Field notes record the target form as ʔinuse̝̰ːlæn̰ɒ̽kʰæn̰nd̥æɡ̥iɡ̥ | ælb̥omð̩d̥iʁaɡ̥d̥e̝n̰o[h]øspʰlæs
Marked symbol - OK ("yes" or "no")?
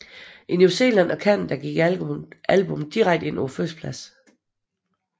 no